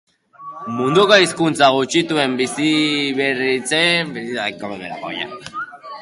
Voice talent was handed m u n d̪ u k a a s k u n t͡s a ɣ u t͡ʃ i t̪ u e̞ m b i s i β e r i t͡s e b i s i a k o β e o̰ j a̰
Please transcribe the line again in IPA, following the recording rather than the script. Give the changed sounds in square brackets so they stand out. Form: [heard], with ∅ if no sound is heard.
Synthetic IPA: m u n d̪ u k a [i] s k u n t͡s a ɣ u t͡ʃ i t̪ u e̞ m b i s i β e r i t͡s e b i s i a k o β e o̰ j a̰